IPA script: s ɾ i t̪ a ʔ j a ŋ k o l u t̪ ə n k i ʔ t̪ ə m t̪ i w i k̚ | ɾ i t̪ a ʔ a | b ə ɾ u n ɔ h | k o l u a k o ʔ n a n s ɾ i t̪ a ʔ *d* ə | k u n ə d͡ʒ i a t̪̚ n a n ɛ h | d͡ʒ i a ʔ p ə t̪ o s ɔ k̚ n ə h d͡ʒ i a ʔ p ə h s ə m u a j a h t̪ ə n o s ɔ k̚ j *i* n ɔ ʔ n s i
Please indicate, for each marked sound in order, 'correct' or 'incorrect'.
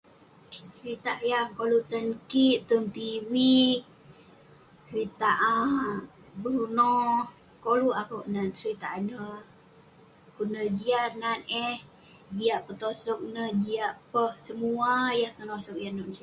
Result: incorrect: n, incorrect: a

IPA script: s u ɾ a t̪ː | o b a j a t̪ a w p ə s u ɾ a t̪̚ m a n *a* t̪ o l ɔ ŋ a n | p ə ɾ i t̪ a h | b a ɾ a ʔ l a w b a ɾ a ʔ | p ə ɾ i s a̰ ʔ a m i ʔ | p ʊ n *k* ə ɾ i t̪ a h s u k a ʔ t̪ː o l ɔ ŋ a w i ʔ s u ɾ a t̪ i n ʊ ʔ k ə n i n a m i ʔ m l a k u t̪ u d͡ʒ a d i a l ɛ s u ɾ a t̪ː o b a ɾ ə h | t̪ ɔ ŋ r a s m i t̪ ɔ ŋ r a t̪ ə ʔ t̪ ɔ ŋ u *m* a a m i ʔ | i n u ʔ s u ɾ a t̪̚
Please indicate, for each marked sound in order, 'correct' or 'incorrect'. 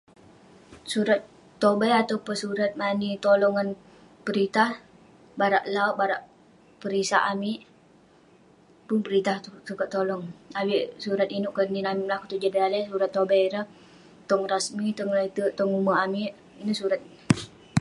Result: incorrect: i, incorrect: p, correct

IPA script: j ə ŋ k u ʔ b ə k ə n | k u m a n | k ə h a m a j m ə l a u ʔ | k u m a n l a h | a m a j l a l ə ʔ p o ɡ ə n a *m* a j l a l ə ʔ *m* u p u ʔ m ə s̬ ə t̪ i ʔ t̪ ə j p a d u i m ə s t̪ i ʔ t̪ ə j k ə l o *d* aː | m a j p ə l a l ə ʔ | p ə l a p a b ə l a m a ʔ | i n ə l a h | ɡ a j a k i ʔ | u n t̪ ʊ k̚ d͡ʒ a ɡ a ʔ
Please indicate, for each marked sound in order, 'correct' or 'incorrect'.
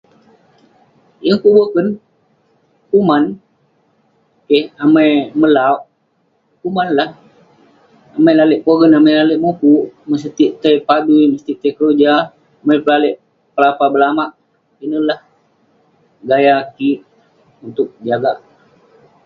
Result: correct, correct, incorrect: d͡ʒ

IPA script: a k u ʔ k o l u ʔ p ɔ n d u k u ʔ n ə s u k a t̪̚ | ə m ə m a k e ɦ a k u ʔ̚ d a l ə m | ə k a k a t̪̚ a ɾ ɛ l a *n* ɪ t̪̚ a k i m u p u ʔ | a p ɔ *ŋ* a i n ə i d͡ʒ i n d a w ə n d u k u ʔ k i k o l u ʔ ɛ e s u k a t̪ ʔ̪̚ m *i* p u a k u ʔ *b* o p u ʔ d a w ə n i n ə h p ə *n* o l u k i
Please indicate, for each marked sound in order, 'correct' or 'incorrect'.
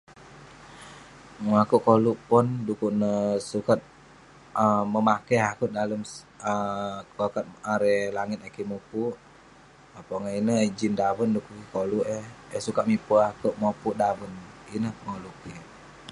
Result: incorrect: ŋ, correct, correct, incorrect: m, incorrect: ŋ

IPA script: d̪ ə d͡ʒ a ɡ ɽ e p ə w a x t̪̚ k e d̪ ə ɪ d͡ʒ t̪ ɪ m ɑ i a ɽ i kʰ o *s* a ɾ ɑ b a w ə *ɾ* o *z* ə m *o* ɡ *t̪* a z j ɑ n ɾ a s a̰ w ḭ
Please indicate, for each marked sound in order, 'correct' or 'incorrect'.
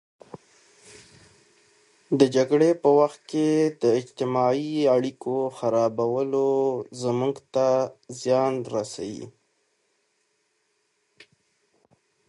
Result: incorrect: x, incorrect: l, correct, incorrect: u, correct

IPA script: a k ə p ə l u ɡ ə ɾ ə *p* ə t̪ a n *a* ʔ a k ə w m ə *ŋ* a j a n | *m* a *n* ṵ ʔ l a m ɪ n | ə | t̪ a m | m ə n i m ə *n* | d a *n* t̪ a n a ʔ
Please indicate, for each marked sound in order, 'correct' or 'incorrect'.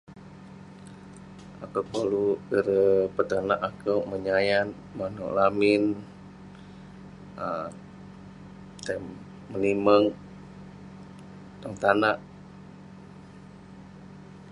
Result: correct, correct, incorrect: ɲ, correct, correct, incorrect: ŋ, incorrect: ŋ

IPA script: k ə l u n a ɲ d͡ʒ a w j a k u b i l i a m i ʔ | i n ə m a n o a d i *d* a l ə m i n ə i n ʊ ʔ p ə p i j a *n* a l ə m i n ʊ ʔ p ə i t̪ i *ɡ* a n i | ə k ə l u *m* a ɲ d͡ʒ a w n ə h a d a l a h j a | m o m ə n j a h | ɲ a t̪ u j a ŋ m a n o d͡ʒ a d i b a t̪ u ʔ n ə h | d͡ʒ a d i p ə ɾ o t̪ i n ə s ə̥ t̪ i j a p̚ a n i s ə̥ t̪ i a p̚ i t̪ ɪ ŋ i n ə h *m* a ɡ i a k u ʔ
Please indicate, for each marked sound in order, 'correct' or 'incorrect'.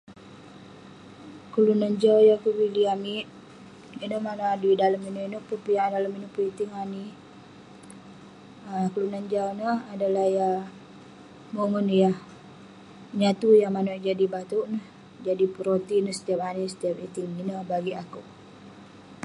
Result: correct, incorrect: d, incorrect: ŋ, incorrect: n, incorrect: b

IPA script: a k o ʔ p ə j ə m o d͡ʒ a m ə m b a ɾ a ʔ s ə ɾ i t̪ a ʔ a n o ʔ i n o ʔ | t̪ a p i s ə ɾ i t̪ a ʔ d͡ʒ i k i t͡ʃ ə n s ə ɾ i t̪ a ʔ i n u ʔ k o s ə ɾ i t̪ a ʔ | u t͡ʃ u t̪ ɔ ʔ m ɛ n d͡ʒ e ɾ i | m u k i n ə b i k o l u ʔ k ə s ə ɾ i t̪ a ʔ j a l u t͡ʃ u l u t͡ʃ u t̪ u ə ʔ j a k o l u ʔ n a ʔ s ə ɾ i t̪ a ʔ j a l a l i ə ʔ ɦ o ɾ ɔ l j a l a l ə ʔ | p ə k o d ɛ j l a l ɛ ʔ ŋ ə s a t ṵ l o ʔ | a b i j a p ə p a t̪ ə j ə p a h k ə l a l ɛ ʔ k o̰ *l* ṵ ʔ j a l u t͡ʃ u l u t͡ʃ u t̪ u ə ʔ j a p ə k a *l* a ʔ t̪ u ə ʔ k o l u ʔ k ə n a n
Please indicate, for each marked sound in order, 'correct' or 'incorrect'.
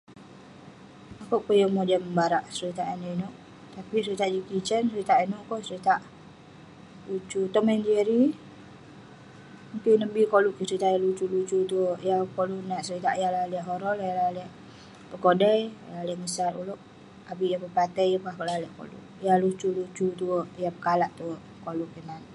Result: correct, correct

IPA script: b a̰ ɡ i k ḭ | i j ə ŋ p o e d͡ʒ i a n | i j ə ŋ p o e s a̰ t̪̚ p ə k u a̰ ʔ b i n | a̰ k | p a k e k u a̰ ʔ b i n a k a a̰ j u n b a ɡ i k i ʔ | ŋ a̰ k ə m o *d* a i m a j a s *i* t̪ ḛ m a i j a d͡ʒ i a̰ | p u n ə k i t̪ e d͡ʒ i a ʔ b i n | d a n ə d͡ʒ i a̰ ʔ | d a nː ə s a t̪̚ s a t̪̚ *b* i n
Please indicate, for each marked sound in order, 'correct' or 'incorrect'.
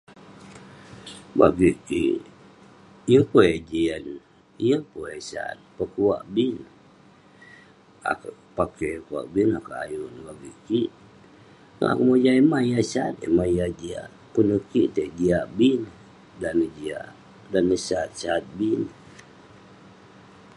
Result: incorrect: d͡ʒ, incorrect: a, correct

